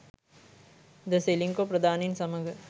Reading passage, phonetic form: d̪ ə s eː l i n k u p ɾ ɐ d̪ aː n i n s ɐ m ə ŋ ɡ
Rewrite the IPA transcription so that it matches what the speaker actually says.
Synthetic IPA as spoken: d̪ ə s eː l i ŋ k o p ɾ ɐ d̪ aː n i n s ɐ m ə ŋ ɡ

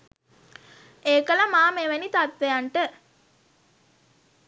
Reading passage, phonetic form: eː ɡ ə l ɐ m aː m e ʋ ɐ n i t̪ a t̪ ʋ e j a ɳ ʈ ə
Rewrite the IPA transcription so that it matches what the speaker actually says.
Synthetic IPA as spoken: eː k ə l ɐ m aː m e ʋ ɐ n i t̪ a t̪ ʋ e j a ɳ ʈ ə

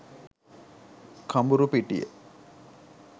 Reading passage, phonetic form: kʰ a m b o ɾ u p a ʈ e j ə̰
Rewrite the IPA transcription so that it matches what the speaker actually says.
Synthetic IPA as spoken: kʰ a m b u ɾ u p i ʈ i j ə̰

